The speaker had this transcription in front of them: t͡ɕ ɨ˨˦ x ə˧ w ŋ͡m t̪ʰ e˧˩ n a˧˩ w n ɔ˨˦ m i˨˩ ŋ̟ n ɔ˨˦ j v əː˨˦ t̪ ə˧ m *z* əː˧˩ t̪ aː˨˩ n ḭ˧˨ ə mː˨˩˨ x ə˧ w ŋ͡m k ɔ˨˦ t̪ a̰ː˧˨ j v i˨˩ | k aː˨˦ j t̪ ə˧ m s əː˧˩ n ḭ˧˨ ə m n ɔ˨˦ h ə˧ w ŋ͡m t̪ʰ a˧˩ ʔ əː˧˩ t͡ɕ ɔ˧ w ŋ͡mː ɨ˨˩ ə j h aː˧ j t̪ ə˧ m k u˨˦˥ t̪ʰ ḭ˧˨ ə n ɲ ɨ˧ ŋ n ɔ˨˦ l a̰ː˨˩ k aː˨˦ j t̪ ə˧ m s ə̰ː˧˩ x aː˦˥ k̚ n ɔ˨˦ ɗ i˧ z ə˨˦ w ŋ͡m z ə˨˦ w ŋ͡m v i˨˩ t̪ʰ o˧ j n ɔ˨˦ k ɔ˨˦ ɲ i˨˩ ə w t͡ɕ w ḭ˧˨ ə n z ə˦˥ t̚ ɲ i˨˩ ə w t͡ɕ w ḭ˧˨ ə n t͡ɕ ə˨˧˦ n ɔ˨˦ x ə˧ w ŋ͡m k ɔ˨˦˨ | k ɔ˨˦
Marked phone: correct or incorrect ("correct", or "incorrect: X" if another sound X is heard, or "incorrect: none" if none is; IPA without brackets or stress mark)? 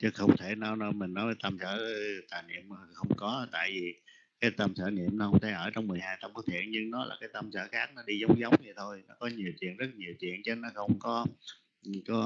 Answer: incorrect: s